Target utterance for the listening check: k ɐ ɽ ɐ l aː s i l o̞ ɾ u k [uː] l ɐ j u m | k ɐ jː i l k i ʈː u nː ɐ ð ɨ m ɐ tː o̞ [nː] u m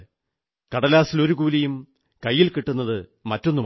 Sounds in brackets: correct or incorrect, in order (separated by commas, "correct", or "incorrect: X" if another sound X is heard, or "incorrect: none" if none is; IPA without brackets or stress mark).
correct, correct